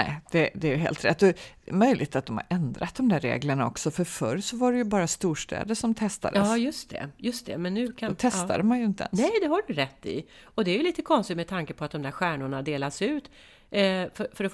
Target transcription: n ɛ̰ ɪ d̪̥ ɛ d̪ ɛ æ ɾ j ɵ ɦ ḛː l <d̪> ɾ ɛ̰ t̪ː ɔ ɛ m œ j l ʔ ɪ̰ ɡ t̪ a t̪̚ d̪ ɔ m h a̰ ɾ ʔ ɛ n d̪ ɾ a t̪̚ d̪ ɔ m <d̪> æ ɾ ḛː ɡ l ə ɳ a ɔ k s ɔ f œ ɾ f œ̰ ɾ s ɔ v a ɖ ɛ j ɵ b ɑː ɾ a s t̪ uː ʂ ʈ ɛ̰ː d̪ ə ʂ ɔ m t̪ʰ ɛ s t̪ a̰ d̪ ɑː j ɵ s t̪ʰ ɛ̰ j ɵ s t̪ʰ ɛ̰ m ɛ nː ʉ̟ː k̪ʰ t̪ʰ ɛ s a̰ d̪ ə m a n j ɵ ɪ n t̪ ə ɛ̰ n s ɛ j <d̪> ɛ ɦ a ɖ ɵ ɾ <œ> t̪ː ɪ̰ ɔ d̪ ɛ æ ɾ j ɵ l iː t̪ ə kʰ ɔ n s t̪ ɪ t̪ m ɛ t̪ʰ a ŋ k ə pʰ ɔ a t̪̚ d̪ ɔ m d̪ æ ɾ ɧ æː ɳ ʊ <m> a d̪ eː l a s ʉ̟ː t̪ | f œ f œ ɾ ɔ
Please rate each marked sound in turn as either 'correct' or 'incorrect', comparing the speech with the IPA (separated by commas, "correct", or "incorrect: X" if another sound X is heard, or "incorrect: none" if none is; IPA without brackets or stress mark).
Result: incorrect: t̪, correct, correct, incorrect: ɛ, incorrect: ɳ